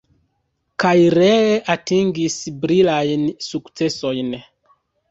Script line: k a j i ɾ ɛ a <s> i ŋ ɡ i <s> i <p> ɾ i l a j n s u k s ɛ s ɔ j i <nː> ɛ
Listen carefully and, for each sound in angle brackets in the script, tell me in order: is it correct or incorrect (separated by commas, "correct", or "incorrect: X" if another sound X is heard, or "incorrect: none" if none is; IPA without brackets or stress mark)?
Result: incorrect: t, correct, incorrect: b, incorrect: n